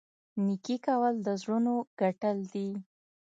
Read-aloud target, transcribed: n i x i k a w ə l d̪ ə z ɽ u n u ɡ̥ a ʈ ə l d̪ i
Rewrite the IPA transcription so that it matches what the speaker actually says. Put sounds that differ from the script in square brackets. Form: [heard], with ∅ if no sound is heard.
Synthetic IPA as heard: n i [k] i k a w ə l d̪ ə z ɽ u n [o] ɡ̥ a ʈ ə l d̪ i